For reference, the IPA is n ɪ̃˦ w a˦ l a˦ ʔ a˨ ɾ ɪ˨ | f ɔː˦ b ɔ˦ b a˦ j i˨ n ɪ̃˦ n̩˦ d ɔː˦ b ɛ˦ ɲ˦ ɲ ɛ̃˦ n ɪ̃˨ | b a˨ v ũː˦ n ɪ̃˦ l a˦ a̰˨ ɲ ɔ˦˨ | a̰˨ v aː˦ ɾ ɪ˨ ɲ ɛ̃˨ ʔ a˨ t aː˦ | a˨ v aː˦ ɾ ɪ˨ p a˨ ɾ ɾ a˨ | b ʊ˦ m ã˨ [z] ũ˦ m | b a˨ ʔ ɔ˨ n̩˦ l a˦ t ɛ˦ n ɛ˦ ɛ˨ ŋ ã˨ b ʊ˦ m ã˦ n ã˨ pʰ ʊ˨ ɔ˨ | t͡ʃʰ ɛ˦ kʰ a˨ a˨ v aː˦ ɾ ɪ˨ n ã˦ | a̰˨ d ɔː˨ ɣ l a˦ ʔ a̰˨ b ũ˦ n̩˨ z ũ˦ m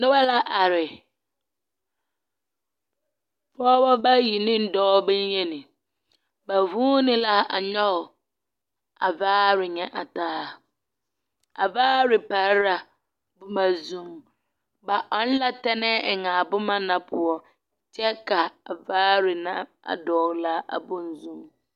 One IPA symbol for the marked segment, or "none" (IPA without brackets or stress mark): z